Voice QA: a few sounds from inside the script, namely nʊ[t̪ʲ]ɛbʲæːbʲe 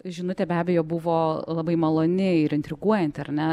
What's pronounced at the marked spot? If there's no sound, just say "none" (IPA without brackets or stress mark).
t̪ʲ